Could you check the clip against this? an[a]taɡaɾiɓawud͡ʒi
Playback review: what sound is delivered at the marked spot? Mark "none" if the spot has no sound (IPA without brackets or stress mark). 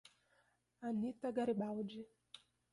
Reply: i